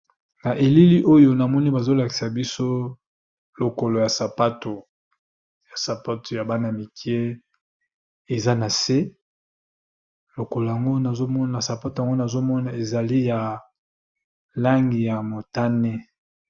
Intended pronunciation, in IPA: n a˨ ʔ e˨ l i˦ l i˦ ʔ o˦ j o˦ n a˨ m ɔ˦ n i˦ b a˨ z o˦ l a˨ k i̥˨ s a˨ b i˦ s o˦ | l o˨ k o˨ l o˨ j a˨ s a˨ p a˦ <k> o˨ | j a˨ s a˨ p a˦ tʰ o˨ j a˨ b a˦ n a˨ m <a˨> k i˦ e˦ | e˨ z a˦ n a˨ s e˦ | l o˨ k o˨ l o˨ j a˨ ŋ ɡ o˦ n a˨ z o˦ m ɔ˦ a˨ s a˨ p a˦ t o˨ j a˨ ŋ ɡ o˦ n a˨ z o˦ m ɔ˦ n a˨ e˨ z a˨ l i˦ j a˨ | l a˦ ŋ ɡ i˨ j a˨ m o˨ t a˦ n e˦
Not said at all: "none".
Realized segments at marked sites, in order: t, i˨

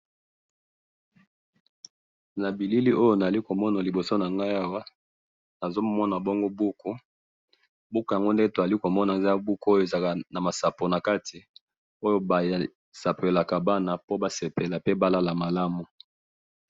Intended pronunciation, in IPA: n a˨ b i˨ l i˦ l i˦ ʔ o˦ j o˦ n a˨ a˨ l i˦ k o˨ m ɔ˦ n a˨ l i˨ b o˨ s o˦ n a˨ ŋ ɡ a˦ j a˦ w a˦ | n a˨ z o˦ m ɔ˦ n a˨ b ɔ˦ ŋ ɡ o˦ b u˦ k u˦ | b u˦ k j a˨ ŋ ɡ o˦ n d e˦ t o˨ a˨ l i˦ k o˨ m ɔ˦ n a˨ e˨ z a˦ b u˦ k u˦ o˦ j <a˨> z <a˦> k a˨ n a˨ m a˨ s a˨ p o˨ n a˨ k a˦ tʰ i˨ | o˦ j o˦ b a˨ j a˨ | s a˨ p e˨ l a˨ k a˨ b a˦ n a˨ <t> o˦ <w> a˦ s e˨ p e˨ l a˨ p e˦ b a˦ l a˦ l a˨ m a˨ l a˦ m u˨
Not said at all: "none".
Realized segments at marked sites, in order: e˨, a˨, p, b

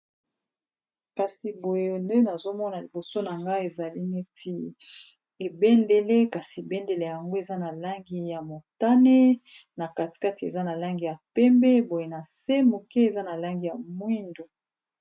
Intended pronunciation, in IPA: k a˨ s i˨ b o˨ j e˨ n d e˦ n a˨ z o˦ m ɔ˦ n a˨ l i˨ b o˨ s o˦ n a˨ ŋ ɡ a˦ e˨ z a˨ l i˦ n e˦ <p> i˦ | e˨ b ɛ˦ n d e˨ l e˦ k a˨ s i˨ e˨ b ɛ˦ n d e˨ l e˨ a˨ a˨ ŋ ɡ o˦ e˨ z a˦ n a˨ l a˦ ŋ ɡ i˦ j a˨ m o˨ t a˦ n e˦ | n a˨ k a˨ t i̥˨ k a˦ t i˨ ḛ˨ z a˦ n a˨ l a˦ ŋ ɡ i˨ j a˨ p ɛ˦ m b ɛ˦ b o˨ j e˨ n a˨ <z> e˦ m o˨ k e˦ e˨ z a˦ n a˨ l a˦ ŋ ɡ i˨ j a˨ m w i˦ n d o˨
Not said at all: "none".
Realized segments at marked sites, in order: t, s

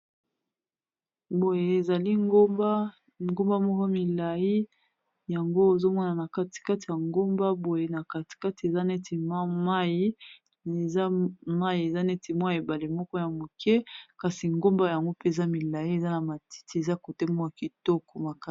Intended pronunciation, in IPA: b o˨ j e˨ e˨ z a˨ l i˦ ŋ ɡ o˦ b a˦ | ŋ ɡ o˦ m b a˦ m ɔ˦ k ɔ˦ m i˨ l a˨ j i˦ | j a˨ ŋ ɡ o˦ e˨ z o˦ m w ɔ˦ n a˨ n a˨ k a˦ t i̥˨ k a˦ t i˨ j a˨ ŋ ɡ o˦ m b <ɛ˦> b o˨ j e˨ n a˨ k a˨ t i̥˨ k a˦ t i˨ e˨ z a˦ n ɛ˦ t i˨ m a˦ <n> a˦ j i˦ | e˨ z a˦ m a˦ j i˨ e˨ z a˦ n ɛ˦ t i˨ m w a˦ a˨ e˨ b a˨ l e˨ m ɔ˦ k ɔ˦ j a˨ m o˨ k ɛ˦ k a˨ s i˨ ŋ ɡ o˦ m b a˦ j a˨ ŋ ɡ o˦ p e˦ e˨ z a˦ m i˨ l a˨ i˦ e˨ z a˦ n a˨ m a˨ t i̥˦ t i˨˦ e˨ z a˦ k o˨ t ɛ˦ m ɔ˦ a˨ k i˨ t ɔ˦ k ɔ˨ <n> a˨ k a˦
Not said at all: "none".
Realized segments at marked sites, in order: a˦, m, m

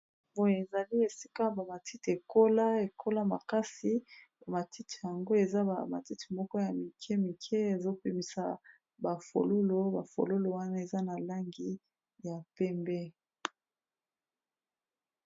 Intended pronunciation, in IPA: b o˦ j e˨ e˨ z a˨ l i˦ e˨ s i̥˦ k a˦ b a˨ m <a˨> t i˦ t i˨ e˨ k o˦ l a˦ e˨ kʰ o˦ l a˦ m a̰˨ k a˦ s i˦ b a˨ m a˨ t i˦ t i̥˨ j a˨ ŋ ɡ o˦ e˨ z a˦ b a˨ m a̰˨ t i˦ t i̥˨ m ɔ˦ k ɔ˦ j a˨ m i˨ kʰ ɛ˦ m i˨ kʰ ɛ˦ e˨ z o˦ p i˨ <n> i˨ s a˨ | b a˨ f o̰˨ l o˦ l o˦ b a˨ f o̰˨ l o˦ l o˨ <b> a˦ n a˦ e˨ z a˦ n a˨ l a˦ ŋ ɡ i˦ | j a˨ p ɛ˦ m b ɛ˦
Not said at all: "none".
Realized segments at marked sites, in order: a˨, m, w

